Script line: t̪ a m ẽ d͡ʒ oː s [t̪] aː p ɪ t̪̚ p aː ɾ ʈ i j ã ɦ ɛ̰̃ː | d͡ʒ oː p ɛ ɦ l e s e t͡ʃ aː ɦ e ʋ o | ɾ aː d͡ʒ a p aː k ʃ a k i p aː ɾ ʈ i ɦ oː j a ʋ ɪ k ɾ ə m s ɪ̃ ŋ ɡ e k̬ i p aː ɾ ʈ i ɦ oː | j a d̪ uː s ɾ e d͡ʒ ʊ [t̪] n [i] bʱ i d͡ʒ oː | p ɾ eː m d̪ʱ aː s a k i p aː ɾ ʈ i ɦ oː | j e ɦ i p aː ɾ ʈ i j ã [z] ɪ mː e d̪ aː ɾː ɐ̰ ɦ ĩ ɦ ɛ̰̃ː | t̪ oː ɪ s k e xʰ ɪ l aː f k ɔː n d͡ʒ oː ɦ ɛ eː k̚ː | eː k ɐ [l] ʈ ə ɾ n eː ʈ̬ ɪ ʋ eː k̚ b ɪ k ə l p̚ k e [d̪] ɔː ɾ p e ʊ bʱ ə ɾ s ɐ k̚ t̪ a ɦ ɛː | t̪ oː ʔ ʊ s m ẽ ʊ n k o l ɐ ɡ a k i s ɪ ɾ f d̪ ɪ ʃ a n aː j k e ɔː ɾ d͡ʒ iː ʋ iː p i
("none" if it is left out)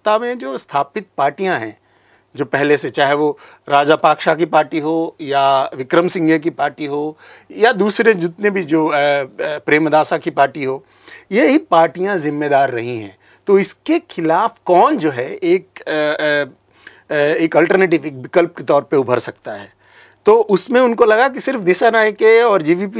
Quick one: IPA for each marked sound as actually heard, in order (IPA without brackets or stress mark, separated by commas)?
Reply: t̪ʰ, t̪, e, z, l, t̪